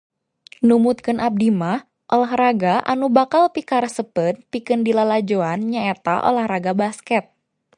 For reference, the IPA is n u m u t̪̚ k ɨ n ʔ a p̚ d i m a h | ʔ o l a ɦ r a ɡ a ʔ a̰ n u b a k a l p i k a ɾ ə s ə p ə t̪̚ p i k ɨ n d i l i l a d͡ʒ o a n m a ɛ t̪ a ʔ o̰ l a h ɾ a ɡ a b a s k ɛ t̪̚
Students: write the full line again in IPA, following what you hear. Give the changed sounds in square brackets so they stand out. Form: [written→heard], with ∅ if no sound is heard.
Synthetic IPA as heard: n u m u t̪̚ k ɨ n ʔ a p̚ d i m a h | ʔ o l a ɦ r a ɡ a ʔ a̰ n u b a k a l p i k a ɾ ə s ə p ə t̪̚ p i k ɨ n d i l [i→a] l a d͡ʒ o a n [m→ɲ] a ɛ t̪ a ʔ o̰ l a h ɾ a ɡ a b a s k ɛ t̪̚